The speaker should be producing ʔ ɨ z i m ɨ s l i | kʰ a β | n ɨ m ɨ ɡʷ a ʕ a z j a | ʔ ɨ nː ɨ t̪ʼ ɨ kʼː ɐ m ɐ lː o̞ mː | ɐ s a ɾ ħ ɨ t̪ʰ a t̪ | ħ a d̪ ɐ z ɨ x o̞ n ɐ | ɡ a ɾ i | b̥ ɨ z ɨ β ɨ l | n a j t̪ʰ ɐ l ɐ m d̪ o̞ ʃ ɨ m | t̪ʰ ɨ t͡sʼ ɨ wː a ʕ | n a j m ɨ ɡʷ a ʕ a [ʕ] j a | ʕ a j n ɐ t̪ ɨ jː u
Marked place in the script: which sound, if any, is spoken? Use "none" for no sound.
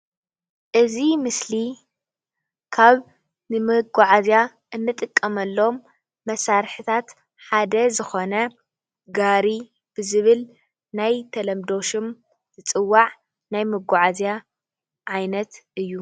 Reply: z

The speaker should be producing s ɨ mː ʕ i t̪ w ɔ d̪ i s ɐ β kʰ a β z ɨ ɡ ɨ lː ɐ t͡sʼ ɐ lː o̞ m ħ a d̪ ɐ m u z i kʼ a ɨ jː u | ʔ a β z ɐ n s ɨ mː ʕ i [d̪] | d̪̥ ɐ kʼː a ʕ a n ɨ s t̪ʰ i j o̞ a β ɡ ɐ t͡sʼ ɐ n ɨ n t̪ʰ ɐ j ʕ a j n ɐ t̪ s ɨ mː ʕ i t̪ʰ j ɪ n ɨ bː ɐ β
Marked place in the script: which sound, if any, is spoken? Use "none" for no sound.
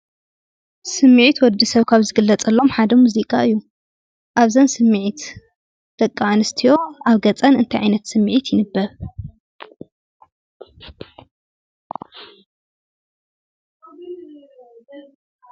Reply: t̪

